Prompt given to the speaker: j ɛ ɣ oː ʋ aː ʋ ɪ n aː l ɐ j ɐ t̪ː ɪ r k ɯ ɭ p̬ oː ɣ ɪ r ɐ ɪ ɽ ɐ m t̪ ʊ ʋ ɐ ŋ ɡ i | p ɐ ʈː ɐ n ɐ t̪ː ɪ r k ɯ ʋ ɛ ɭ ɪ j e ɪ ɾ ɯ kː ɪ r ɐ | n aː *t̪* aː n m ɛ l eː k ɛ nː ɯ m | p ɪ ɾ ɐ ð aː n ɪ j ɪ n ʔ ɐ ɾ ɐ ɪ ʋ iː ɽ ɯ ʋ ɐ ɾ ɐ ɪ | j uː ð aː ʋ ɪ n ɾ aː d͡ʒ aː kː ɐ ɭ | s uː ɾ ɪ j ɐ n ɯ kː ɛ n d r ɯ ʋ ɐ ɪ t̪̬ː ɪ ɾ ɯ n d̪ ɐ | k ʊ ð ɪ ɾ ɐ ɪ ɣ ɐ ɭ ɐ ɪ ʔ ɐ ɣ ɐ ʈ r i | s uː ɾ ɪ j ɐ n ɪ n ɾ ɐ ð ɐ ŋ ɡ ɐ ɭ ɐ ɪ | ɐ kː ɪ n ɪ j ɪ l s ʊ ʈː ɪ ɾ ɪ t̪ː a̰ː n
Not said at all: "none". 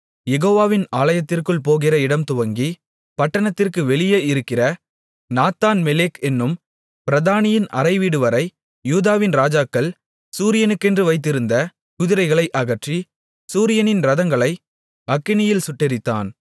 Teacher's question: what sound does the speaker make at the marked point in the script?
t̪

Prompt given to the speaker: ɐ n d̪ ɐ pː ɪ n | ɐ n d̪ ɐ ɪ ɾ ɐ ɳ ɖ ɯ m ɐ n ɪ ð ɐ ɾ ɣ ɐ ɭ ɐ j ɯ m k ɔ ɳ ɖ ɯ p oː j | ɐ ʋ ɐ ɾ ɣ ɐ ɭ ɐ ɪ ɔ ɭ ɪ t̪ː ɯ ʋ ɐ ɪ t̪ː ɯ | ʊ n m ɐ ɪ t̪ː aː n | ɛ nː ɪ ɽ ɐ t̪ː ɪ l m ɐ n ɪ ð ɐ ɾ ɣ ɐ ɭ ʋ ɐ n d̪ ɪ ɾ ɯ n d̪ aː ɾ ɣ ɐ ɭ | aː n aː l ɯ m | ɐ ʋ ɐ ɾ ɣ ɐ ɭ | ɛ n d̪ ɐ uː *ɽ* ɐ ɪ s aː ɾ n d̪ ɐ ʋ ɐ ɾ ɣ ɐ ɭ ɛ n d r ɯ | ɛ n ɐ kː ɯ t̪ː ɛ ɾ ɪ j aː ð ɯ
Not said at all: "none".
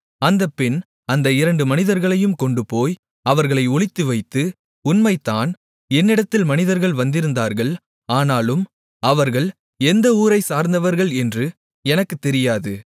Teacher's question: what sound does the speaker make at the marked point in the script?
ɾ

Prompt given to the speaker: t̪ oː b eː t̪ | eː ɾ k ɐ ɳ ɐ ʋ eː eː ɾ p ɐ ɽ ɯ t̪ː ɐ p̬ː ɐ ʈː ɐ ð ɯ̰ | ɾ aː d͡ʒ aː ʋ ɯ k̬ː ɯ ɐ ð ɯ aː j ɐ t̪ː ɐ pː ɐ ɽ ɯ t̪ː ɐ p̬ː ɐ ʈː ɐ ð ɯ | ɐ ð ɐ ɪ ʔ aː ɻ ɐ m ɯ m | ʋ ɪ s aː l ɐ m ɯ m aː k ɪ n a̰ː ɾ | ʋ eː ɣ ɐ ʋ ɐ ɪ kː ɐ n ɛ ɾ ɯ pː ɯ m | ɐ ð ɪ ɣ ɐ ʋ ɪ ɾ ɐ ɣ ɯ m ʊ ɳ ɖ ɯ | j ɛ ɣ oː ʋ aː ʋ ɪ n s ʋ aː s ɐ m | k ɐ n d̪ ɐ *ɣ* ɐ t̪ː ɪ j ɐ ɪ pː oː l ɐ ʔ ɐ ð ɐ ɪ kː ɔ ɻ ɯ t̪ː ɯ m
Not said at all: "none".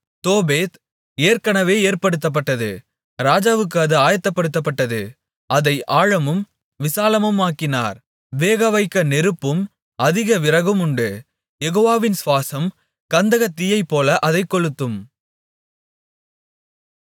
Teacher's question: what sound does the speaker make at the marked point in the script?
ɣ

